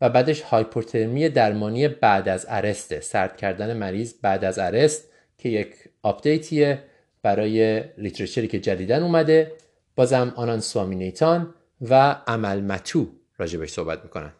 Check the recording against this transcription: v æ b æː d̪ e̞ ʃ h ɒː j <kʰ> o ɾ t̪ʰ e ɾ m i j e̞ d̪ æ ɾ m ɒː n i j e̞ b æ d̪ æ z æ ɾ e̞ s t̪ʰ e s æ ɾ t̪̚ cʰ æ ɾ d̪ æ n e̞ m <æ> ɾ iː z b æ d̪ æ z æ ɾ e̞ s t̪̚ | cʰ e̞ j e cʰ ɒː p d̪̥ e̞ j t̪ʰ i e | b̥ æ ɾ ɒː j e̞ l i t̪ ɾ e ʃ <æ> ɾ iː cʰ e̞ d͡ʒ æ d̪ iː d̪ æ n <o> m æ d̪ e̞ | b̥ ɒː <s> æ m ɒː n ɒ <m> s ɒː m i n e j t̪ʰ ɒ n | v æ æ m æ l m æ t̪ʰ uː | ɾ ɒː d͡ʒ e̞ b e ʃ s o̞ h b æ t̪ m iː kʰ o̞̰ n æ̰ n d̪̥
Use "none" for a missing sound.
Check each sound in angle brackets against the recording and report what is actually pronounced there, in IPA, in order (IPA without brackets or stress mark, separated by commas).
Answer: pʰ, æ, e, u, z, n